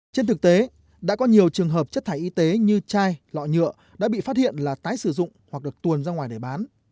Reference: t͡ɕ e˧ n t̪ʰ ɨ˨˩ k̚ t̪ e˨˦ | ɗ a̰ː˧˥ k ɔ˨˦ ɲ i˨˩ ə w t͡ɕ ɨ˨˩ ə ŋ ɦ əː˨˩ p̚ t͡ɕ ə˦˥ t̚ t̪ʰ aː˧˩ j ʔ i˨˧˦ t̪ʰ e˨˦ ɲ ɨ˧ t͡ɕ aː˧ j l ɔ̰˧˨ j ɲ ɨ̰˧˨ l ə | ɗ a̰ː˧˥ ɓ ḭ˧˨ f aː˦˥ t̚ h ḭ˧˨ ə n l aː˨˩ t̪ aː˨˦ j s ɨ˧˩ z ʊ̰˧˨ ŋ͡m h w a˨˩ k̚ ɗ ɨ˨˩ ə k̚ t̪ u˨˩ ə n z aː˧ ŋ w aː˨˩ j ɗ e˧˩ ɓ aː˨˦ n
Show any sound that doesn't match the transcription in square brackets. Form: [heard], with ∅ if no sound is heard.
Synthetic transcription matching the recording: t͡ɕ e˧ n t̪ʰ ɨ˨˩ k̚ t̪ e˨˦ | ɗ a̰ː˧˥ k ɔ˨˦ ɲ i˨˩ ə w t͡ɕ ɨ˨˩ ə ŋ ɦ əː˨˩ p̚ t͡ɕ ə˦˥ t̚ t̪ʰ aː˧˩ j ʔ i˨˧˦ [t̪] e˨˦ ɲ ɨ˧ t͡ɕ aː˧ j l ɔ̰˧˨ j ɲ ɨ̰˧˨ [∅] ə | ɗ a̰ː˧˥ ɓ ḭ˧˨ f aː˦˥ t̚ h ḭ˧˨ ə n l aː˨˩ t̪ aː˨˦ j s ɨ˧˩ z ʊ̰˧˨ ŋ͡m h w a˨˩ k̚ ɗ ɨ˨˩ ə k̚ t̪ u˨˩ ə n z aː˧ ŋ w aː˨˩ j ɗ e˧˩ ɓ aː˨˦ n